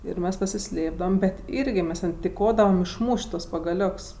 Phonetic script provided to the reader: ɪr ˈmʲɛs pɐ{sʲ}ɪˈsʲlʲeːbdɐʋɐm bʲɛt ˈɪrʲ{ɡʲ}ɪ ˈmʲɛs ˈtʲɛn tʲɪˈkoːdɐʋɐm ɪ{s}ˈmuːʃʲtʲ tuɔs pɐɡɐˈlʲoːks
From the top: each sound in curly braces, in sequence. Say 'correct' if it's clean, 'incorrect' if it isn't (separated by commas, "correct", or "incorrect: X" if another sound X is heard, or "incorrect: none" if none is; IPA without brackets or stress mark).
correct, correct, incorrect: ʃ